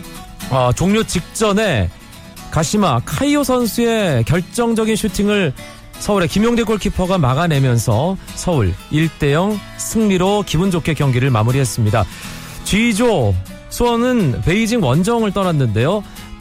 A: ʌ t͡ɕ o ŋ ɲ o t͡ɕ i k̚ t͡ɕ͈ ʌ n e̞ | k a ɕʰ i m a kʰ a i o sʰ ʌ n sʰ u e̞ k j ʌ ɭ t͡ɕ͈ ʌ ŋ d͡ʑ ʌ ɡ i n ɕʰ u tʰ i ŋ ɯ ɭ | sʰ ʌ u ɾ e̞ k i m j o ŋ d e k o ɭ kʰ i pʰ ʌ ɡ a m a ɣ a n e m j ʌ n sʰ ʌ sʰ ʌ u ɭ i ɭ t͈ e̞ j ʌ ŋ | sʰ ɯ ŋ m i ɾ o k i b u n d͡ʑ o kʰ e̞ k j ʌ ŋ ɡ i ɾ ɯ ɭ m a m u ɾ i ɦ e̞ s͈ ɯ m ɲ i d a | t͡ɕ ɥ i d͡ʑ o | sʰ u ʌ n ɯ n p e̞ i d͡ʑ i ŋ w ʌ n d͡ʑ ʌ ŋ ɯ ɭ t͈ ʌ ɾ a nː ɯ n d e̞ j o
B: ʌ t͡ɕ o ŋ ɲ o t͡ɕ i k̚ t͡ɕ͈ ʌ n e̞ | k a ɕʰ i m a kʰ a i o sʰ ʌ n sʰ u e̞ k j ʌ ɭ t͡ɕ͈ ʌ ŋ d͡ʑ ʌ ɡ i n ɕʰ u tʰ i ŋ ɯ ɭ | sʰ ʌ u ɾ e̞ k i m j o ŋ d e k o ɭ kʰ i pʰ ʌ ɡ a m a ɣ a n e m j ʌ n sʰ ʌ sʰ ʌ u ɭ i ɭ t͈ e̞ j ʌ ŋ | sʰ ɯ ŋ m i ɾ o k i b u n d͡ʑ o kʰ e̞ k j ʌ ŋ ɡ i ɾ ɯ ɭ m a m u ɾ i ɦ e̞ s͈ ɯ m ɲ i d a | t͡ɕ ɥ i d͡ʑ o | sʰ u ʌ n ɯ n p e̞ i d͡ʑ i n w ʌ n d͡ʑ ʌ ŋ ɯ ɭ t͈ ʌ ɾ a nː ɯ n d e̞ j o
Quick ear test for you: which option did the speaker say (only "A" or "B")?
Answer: A